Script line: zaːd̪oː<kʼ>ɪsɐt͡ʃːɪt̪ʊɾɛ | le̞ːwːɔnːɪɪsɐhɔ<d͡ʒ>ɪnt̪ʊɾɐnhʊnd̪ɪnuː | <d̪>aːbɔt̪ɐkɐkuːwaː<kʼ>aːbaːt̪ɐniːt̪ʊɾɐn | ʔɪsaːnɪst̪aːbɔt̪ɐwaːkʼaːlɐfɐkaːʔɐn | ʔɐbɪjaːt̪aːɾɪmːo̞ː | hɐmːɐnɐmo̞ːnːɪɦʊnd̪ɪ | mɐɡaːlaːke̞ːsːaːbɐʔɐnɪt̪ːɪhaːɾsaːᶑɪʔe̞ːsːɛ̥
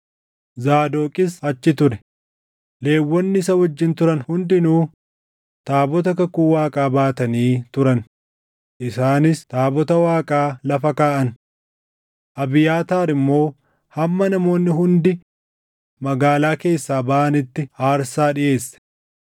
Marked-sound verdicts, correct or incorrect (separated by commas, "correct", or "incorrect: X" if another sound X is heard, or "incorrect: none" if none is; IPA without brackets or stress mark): correct, incorrect: d͡ʒː, incorrect: t̪, correct